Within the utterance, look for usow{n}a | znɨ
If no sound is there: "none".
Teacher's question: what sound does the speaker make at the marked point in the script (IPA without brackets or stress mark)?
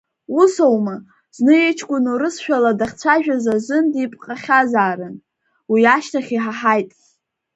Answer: m